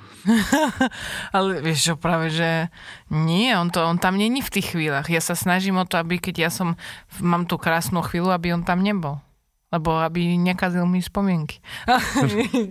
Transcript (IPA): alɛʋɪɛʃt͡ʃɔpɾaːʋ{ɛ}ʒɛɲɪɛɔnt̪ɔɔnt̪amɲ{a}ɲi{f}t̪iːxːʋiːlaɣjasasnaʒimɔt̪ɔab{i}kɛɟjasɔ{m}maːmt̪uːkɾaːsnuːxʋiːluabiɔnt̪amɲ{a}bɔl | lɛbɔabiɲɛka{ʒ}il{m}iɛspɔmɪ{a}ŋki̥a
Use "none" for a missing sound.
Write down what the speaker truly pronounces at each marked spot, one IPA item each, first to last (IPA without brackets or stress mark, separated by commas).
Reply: ɛ, ɛ, f, i, m, ɛ, z, m, ɛ